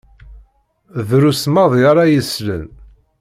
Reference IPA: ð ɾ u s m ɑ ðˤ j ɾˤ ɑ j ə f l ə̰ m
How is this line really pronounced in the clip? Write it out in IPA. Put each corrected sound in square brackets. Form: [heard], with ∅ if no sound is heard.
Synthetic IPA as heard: ð ɾ u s m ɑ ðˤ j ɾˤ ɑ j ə [s] l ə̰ [n]